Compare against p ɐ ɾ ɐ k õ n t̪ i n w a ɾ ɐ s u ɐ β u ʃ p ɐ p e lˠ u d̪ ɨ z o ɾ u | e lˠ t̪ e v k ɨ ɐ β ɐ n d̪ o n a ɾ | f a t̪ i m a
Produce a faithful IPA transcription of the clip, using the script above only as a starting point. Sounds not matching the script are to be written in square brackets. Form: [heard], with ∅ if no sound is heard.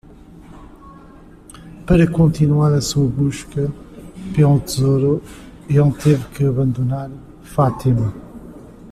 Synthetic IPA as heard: p ɐ ɾ ɐ k õ n t̪ i n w a ɾ ɐ s u ɐ β u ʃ [k] ɐ p e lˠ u [t̪] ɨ z o ɾ u | e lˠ t̪ e v k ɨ ɐ β [ɐ̃] n d̪ [u] n a ɾ | f a t̪ i m [ɐ]